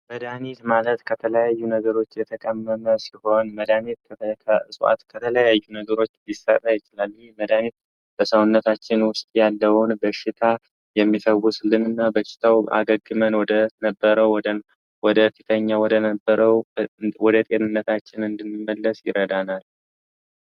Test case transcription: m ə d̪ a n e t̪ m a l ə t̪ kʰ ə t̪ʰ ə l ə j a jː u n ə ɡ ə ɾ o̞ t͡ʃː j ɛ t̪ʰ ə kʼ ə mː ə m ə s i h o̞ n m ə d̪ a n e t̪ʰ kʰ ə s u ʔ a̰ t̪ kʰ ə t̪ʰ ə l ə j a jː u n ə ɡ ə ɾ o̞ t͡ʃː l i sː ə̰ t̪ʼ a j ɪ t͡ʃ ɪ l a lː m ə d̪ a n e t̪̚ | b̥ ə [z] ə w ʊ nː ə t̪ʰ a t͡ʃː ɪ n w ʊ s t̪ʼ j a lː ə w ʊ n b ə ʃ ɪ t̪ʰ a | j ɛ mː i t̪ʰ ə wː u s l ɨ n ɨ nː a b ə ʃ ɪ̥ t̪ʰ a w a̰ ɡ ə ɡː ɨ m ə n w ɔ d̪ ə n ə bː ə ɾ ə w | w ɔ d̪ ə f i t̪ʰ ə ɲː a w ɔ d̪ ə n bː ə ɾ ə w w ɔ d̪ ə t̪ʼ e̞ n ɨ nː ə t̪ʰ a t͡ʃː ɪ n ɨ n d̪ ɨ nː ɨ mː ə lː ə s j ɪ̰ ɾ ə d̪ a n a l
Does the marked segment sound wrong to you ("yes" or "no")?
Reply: yes